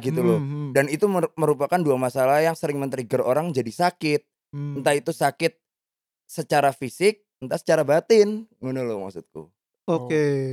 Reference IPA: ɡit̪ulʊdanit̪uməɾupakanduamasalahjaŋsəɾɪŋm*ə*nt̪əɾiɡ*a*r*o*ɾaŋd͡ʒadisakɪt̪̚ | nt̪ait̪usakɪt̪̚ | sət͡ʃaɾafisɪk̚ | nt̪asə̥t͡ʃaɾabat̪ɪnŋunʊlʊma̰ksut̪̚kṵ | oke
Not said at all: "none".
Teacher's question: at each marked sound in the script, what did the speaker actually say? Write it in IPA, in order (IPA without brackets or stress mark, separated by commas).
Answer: ə, ə, o